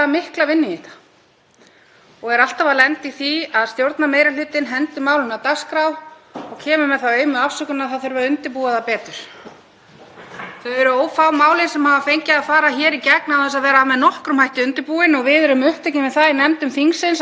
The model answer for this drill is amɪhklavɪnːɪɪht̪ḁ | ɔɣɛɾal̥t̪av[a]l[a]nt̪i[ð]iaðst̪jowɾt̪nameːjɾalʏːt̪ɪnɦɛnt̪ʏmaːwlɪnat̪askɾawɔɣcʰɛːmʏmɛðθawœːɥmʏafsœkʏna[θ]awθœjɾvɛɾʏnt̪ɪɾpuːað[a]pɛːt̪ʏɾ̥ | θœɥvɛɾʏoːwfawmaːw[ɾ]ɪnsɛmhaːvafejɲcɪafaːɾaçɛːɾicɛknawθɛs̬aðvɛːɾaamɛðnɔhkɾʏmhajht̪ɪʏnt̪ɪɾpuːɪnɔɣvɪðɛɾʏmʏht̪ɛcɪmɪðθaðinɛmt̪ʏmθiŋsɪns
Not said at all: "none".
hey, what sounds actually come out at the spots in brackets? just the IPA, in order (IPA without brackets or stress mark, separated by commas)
a, ɛ, θ, θ, a, l